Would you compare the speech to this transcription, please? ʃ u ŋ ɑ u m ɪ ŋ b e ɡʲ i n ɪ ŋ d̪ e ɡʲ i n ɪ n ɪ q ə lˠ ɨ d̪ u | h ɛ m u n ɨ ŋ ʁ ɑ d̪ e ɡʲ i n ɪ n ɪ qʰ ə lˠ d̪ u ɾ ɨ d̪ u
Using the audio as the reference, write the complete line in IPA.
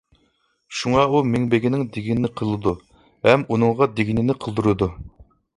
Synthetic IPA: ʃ u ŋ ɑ u m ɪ ŋ b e ɡʲ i n ɪ ŋ d̪ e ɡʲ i n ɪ n ɪ qʰ ə lˠ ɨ d̪ u | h ɛ m u n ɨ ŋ ʁ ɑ d̪ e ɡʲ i n ɪ n ɪ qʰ ə lˠ d̪ u ɾ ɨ d̪ u

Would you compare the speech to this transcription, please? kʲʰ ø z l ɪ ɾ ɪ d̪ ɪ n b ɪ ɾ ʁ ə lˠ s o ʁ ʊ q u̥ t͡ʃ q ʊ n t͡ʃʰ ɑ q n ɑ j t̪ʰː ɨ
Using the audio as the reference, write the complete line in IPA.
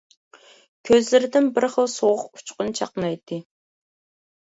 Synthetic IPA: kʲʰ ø z l ɪ ɾ ɪ d̪ ɪ n b ɪ ɾ χ ə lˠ s o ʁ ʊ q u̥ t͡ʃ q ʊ n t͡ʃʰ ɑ q n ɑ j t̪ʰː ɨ

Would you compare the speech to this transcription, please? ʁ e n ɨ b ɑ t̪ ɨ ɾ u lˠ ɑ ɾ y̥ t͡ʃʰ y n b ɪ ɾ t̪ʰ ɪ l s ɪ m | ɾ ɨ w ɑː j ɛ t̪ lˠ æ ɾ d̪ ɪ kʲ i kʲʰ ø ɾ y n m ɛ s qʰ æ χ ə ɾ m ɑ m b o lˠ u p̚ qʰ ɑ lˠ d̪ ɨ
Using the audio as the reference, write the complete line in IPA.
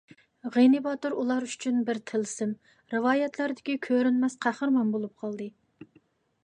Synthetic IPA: ʁ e n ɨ b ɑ t̪ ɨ ɾ u lˠ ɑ ɾ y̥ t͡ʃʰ y n b ɪ ɾ t̪ʰ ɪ l s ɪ m | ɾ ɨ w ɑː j ɛ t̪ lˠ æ ɾ d̪ ɪ kʲ i kʲʰ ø ɾ y n m ɛ s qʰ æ χ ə ɾ m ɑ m b o lˠ u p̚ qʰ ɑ lˠ d̪ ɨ

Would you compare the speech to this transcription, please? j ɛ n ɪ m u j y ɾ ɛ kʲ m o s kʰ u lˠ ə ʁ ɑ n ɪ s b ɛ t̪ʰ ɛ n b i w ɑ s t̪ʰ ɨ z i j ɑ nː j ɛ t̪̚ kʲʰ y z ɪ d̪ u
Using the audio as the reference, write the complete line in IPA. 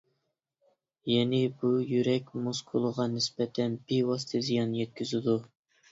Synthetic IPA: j ɛ n ɪ b u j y ɾ ɛ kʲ m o s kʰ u lˠ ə ʁ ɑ n ɪ s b ɛ t̪ʰ ɛ n b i w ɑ s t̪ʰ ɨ z i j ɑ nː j ɛ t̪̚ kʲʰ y z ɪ d̪ u

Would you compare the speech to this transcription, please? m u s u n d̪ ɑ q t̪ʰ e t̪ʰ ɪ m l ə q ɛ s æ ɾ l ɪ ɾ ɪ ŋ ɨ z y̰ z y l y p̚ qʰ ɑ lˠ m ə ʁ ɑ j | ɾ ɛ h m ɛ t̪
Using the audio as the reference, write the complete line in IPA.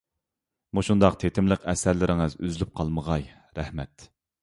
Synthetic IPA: m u ʃ u n d̪ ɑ q t̪ʰ e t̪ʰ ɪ m l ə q ɛ s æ ɾ l ɪ ɾ ɪ ŋ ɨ z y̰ z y l y p̚ qʰ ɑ lˠ m ə ʁ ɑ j | ɾ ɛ h m ɛ t̪

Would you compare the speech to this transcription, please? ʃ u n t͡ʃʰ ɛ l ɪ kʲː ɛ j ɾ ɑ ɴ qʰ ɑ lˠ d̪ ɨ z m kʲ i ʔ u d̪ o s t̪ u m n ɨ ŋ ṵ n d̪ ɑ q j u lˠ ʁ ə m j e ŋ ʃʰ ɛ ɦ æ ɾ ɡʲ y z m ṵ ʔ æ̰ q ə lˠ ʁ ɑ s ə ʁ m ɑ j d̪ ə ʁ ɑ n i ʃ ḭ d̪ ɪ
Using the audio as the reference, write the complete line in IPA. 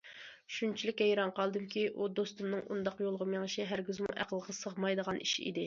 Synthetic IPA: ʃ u n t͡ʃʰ i l ɪ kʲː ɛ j ɾ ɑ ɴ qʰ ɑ lˠ d̪ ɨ m kʲ i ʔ u d̪ o s t̪ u m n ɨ ŋ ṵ n d̪ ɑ q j o lˠ ʁ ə m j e ŋ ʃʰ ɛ ɦ æ ɾ ɡʲ y z m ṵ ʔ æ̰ q ə lˠ ʁ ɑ s ə ʁ m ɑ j d̪ ə ʁ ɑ n i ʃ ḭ d̪ ɪ

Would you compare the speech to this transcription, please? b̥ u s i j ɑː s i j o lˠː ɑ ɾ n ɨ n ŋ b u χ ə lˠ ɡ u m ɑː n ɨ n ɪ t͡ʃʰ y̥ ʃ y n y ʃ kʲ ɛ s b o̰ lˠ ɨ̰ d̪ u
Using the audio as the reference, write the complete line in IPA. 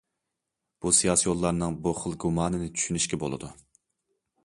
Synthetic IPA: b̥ u s i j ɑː s i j o lˠː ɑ ɾ n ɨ ŋ b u χ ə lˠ ɡ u m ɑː n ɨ n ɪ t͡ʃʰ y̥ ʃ y n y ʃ kʲ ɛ b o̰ lˠ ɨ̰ d̪ u

